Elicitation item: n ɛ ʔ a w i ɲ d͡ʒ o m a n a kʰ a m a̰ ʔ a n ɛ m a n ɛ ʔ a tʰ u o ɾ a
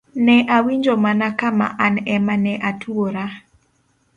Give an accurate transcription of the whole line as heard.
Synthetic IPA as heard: n ɛ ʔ a w i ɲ d͡ʒ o m a n a k a m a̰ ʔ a n ɛ m a n ɛ ʔ a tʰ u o ɾ a